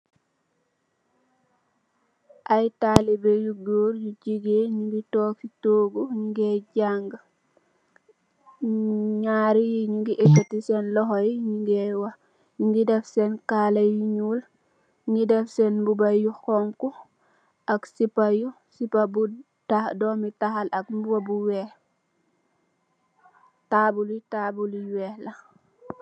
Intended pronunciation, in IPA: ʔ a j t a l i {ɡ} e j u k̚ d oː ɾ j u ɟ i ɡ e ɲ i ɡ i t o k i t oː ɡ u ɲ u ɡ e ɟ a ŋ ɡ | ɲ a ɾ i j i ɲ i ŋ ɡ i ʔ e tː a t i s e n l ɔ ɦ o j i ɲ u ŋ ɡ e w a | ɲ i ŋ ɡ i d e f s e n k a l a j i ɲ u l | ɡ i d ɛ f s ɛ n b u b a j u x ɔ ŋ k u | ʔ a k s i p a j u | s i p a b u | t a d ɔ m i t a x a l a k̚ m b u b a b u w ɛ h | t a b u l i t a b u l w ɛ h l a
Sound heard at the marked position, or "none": b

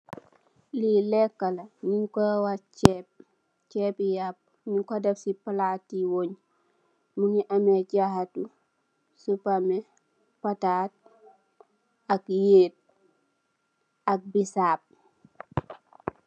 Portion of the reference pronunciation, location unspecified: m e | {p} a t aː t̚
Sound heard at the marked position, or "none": p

